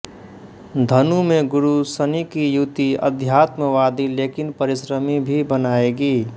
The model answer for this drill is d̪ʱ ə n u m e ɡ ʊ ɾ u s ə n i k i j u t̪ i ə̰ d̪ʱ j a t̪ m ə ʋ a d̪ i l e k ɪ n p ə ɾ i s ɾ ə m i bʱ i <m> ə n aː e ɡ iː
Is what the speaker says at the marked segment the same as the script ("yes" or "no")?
no